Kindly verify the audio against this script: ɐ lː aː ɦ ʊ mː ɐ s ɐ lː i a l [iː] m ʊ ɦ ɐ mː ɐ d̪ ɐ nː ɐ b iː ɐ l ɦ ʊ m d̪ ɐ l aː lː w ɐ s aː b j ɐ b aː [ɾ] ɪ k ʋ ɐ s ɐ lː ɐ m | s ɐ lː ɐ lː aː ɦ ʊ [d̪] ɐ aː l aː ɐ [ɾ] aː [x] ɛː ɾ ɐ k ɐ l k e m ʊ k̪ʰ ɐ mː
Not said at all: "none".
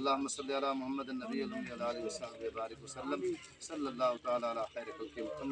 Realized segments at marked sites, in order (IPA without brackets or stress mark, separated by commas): aː, ɾ, t̪, l, x